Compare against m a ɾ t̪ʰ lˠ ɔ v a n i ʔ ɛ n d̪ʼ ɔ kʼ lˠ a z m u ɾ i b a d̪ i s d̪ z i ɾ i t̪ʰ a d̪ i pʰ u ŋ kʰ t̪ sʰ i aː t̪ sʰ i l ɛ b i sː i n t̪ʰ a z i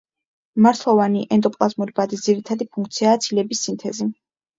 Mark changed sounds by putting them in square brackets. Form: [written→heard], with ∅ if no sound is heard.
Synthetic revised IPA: m a ɾ t̪ʰ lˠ ɔ v a n i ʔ ɛ n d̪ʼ ɔ [kʼ→pʼ] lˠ a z m u ɾ i b a d̪ i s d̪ z i ɾ i t̪ʰ a d̪ i pʰ u ŋ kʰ t̪ sʰ i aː t̪ sʰ i l ɛ b i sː i n t̪ʰ [a→ɛ] z i